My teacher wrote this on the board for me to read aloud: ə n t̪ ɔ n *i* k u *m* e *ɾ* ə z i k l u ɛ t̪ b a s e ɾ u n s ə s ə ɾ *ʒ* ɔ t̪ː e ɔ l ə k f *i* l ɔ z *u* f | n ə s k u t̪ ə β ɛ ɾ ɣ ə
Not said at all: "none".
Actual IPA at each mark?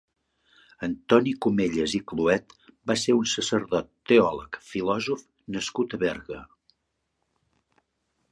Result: i, m, ʎ, ð, i, u

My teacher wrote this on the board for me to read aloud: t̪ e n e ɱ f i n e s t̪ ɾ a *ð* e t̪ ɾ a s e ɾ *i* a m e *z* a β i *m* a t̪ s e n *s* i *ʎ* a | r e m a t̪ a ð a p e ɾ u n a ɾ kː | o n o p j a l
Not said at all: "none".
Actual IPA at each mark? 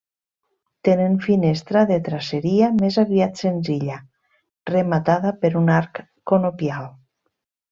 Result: ð, i, z, none, z, ʎ

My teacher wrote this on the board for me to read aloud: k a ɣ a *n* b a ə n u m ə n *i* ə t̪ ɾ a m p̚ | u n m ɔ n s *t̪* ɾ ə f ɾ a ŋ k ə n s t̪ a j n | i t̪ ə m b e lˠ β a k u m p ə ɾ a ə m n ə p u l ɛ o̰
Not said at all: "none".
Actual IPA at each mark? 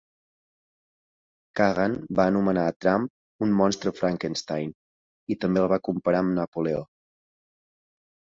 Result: n, a, t̪

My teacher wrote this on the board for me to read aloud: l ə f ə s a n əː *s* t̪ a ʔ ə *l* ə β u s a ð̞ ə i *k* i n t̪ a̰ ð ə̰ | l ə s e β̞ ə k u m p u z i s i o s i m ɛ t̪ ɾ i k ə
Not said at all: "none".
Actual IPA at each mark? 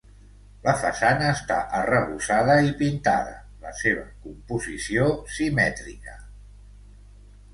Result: s, r, p

